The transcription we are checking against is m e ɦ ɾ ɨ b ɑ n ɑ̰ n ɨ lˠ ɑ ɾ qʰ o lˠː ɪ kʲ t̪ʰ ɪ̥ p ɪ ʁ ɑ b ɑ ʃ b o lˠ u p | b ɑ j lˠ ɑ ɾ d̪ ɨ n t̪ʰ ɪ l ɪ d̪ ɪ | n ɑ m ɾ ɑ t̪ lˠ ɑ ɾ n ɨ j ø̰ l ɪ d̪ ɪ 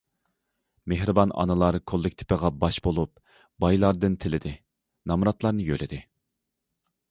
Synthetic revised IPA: m e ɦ ɾ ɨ b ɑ n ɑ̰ n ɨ lˠ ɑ ɾ kʰ o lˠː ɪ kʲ t̪ʰ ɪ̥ p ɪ ʁ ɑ b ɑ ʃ b o lˠ u p | b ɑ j lˠ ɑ ɾ d̪ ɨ n t̪ʰ ɪ l ɪ d̪ ɪ | n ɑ m ɾ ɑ t̪ lˠ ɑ ɾ n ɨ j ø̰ l ɪ d̪ ɪ